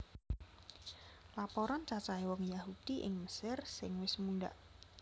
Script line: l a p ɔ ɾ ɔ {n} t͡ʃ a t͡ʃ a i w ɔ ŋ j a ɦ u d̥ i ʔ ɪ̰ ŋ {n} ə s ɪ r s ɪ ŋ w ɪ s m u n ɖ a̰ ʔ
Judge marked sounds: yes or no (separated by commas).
yes, no